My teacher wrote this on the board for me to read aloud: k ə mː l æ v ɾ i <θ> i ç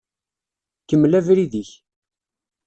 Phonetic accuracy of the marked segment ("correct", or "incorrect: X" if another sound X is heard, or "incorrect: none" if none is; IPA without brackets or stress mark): incorrect: ð